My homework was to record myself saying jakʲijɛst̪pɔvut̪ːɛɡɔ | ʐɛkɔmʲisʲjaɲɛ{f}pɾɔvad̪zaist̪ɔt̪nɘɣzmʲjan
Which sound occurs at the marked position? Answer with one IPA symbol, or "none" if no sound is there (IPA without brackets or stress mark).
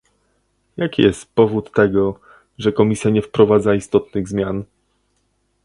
f